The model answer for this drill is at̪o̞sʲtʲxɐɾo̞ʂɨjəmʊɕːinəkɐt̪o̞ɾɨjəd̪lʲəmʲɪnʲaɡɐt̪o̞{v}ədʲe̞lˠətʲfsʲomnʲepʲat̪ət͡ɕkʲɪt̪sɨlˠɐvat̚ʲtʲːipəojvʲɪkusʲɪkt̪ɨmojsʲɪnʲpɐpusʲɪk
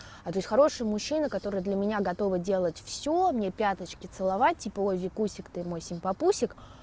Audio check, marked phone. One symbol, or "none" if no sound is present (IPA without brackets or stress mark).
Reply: v